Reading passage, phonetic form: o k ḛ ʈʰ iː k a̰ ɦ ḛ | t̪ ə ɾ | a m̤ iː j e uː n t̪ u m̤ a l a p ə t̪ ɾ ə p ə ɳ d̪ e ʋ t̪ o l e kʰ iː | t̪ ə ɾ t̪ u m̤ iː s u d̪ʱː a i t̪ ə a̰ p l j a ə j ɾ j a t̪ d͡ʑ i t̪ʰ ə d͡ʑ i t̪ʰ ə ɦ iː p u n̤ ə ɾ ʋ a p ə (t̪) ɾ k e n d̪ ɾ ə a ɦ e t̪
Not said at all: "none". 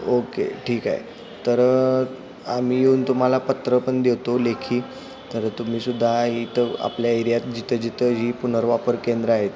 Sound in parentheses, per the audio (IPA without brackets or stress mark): none